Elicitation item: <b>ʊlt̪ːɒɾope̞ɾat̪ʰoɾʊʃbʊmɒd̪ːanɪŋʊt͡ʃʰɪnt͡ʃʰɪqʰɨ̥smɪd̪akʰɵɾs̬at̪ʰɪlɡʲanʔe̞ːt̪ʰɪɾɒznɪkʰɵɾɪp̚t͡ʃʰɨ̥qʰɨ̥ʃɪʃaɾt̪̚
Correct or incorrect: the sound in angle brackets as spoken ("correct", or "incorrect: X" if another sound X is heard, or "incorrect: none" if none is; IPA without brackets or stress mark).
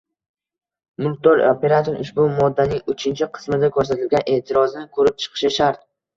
incorrect: m